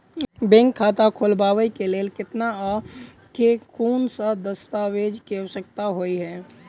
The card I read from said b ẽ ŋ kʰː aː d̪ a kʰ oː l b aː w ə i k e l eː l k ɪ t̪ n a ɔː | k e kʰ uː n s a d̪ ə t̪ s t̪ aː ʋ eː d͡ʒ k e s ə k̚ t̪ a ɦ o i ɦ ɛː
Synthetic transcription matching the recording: b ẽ ŋ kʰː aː t̪ a kʰ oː l b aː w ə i k e l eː l k ɪ t̪ n a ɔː | k e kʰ uː n s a d̪ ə s t̪ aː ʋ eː d͡ʒ k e s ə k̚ t̪ a ɦ o i ɦ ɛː